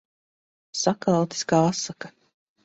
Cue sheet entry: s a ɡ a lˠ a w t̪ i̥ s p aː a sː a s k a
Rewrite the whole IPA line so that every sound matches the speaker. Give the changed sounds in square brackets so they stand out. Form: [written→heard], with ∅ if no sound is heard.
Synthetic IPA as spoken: s a [ɡ→k] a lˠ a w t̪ i̥ s [p→k] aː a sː a [s→∅] k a